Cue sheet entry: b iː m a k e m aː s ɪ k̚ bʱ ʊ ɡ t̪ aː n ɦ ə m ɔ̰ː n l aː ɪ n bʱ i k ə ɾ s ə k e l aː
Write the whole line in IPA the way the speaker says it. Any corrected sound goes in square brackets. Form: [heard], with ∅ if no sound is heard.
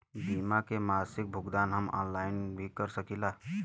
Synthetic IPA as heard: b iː m a k e m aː s ɪ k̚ bʱ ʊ ɡ [d̪] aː n ɦ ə m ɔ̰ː n l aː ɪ n bʱ i k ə ɾ s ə k [i] l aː